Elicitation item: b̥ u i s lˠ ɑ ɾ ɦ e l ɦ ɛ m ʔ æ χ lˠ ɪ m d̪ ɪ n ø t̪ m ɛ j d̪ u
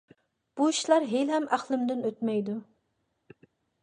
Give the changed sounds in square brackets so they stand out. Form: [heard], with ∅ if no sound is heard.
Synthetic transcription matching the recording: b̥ u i [ʃ] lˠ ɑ ɾ ɦ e l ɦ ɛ m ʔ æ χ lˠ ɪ m d̪ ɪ n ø t̪ m ɛ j d̪ u